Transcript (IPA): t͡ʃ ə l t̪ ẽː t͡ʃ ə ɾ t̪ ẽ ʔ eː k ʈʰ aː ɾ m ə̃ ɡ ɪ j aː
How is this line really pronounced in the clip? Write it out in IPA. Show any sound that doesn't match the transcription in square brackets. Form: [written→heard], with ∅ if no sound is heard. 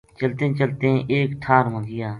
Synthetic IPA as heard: t͡ʃ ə l t̪ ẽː t͡ʃ ə [ɾ→l] t̪ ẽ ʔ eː k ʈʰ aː ɾ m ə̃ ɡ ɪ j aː